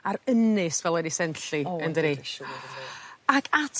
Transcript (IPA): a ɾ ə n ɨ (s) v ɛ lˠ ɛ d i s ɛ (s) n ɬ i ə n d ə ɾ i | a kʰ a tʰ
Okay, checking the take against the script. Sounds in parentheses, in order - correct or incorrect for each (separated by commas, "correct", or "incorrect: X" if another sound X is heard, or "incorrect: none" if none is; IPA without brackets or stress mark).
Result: correct, incorrect: none